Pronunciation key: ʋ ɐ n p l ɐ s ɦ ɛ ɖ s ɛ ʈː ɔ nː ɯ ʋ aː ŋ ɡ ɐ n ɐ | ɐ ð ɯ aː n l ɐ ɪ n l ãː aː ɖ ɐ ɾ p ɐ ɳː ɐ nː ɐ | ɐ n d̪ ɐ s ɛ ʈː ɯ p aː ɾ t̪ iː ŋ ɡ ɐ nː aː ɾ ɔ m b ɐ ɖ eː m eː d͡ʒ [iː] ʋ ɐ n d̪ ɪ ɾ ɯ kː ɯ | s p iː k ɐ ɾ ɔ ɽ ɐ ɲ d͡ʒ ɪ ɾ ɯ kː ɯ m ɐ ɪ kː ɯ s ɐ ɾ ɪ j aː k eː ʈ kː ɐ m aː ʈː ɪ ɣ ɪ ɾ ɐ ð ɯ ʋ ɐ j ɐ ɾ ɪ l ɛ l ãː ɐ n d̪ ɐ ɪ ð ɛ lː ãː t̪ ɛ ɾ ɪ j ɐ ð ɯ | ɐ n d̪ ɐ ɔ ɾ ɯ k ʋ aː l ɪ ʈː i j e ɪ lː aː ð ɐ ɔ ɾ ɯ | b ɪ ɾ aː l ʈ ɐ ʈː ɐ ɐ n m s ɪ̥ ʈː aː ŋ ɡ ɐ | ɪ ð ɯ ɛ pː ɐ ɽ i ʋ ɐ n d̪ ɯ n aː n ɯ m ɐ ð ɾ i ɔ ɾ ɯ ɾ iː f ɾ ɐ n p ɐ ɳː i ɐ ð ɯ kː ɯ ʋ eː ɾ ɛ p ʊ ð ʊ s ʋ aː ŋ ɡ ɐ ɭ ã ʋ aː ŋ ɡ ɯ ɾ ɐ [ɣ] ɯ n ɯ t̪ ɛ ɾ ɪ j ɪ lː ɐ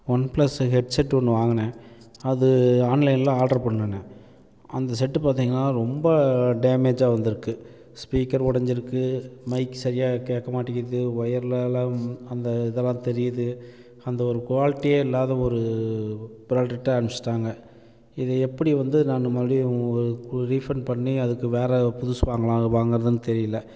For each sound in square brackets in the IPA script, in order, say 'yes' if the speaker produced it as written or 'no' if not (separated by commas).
no, no